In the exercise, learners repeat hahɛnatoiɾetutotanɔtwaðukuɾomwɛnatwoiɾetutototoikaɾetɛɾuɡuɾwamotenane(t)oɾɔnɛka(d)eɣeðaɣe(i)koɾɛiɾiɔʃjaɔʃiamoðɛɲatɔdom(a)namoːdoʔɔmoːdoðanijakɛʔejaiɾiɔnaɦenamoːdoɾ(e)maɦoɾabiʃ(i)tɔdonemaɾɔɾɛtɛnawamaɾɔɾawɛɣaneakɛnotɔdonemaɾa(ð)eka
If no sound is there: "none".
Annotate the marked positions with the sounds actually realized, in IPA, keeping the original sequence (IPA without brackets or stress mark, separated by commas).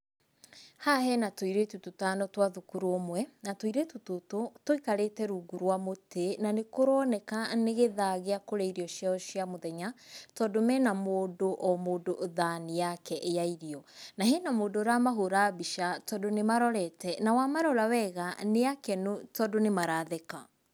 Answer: k, n, a, ɛ, a, a, ð